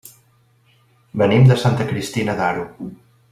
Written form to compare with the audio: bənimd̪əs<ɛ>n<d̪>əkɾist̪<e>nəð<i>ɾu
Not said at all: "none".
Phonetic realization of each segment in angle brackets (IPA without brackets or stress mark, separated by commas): a, t̪, i, a